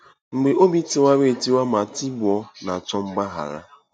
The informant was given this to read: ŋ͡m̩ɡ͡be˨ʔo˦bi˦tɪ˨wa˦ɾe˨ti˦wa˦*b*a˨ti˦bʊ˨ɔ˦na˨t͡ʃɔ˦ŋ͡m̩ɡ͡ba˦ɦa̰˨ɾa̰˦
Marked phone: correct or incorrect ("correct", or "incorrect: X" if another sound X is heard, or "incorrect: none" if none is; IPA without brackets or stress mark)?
incorrect: m